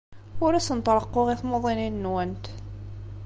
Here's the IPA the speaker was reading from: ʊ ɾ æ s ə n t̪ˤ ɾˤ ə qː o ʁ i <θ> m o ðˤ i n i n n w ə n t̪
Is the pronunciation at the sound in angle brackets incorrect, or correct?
correct